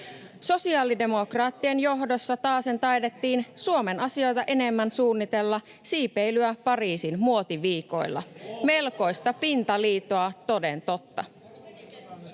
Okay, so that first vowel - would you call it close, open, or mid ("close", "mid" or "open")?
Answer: mid